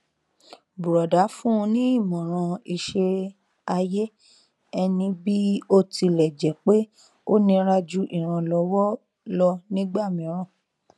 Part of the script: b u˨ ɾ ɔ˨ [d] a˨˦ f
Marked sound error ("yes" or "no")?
no